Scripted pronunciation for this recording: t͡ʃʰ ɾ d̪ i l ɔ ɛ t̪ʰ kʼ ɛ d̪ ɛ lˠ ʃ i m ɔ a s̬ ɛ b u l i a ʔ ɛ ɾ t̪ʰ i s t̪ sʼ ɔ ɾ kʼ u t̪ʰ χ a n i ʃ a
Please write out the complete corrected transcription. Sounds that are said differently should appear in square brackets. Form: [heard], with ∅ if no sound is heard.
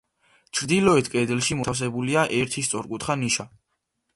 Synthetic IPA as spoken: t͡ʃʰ ɾ d̪ i l ɔ ɛ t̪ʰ kʼ ɛ d̪ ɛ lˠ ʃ i m ɔ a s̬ ɛ b u l i a ʔ ɛ ɾ t̪ʰ i s t̪ sʼ ɔ ɾ kʼ u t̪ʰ χ a n i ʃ a